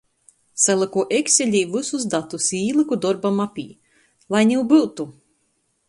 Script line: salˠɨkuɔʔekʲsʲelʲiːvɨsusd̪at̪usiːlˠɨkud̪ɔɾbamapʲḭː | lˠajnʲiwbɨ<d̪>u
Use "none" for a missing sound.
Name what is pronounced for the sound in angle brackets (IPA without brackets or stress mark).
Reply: t̪